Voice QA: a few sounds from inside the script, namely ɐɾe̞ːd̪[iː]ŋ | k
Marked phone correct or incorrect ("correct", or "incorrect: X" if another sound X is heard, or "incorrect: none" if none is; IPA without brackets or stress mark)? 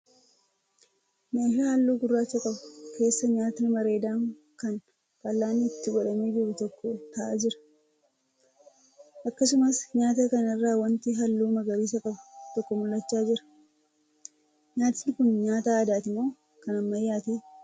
incorrect: aː